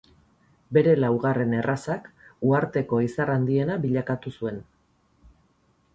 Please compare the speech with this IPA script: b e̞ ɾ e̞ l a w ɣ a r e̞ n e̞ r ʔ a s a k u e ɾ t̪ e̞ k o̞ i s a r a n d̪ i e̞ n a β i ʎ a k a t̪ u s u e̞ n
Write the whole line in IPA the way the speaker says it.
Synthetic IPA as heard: b e̞ ɾ e̞ l a w ɣ a r e̞ n e̞ r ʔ a s a k u a ɾ t̪ e̞ k o̞ i s a r a n d̪ i e̞ n a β i ʎ a k a t̪ u s u e̞ n